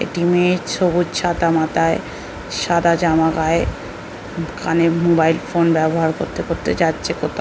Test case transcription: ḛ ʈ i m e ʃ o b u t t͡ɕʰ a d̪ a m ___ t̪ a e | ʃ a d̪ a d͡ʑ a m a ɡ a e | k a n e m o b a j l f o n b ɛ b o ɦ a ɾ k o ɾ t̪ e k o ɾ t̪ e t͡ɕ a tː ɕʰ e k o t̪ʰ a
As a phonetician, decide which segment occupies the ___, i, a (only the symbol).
a